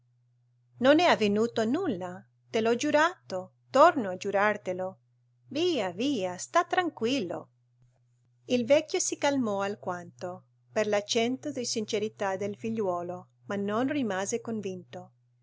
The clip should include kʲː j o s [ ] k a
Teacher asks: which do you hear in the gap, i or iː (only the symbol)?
i